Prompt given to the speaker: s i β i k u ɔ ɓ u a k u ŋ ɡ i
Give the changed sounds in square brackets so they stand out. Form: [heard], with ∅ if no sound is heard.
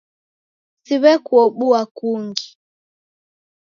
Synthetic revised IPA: s i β [ɛ] k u ɔ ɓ u a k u ŋ ɡ i